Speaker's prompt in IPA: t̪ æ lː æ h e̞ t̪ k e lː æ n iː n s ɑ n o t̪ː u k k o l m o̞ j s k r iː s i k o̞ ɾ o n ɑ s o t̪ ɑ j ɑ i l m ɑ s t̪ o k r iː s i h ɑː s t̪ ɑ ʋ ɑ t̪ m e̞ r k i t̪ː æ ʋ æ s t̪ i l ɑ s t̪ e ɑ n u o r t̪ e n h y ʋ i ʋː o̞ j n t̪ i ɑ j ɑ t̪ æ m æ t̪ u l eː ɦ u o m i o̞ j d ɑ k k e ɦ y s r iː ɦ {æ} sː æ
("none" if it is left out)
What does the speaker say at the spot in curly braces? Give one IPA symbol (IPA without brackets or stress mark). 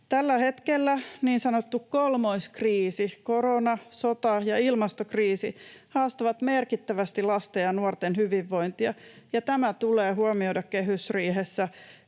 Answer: e